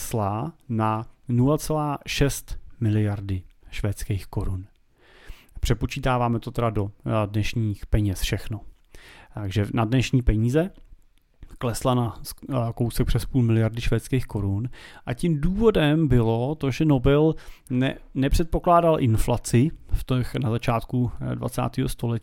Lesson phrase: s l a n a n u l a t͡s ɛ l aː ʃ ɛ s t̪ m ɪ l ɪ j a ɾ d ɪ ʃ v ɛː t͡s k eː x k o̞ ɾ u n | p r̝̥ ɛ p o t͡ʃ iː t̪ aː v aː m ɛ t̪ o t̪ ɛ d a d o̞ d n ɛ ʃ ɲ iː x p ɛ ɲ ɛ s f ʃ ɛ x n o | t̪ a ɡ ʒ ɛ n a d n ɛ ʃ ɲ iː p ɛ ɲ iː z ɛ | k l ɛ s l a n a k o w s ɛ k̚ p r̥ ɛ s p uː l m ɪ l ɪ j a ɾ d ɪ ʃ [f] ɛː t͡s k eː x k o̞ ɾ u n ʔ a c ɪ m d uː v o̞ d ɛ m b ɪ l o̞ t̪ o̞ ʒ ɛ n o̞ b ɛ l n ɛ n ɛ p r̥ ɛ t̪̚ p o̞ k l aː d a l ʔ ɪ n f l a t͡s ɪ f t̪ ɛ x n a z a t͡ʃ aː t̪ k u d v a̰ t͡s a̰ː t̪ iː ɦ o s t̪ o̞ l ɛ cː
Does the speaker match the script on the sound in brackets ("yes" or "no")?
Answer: no